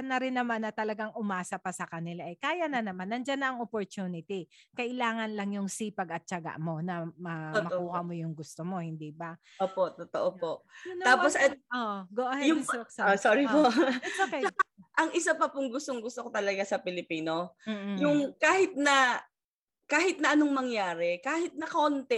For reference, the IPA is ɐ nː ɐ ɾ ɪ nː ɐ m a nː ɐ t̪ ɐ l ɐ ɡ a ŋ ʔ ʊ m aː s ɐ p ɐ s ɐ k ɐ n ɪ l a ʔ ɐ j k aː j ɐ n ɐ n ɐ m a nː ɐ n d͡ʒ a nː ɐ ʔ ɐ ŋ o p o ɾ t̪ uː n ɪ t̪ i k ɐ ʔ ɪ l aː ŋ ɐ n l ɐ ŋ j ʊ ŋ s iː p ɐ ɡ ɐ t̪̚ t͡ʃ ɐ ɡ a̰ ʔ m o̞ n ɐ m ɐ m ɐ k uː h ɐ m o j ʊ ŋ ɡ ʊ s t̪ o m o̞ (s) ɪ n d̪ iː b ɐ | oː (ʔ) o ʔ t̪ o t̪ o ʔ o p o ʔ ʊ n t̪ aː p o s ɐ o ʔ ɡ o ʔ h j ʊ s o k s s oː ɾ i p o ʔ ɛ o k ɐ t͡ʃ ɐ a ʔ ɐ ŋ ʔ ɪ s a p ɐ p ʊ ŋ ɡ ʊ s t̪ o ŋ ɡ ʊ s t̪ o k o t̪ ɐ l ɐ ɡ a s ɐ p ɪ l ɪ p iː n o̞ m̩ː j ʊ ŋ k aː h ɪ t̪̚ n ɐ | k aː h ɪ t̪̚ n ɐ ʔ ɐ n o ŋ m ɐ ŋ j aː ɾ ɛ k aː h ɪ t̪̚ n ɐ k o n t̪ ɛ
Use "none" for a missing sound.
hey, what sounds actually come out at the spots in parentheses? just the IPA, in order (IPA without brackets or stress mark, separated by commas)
h, p